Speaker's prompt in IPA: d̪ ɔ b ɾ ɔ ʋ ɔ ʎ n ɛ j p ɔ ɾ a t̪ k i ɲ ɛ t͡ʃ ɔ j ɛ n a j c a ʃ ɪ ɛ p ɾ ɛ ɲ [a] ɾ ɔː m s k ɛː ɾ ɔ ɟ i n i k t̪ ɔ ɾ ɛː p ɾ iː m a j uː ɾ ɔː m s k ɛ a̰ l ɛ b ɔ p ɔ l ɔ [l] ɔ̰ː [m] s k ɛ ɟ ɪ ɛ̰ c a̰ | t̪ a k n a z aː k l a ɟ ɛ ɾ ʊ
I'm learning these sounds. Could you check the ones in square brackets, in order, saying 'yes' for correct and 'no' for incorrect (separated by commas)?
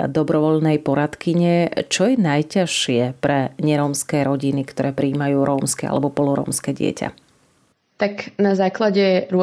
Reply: no, no, yes